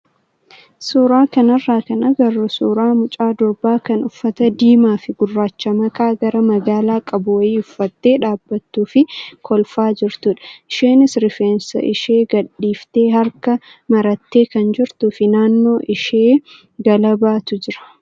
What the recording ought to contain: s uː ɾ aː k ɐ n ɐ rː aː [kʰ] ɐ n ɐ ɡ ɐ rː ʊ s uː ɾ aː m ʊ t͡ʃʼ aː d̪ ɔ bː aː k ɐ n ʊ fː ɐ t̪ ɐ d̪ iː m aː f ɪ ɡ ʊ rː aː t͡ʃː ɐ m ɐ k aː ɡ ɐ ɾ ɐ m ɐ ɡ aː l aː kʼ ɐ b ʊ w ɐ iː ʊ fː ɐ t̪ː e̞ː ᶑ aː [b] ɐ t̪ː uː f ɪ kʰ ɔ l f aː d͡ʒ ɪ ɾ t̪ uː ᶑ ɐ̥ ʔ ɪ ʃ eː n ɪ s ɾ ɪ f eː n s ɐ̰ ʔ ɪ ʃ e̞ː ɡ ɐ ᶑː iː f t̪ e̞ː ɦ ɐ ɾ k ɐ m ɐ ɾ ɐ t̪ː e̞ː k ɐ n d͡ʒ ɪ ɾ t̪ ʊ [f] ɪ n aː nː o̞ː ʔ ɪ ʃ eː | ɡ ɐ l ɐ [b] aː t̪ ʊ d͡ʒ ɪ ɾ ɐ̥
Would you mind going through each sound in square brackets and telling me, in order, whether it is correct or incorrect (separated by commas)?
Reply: incorrect, incorrect, correct, correct